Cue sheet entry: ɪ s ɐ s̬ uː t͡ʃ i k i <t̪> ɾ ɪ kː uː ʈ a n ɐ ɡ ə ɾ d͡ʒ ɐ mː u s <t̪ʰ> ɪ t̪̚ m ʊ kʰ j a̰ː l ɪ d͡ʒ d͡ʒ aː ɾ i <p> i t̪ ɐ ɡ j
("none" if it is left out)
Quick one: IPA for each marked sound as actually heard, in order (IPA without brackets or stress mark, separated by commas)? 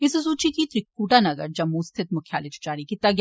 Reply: t̪, t̪ʰ, k